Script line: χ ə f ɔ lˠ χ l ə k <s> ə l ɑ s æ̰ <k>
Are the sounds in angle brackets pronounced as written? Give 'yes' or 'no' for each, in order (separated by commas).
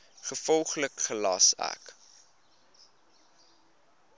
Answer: no, yes